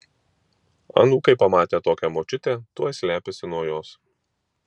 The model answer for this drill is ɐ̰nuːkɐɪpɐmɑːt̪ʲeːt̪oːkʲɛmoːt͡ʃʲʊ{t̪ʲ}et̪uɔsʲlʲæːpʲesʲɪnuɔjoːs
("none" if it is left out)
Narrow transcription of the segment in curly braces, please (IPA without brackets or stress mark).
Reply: t̪ʲ